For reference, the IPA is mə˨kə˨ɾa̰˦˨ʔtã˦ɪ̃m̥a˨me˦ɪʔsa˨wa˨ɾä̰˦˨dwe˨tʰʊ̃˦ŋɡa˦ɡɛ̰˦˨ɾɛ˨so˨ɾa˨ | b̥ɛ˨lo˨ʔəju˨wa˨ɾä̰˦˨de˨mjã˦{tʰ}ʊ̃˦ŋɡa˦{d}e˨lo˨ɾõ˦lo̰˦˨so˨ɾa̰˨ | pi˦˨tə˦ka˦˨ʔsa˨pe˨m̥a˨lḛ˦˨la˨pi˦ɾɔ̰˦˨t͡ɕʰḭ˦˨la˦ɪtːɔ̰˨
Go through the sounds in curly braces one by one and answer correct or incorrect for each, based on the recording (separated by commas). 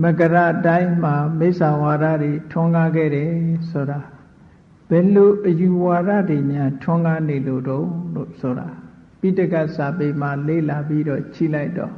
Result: correct, incorrect